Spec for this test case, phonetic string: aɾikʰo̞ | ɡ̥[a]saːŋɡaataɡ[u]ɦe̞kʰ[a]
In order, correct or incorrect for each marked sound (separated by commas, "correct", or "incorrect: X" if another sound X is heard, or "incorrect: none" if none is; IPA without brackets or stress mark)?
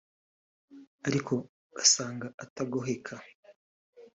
correct, incorrect: o, correct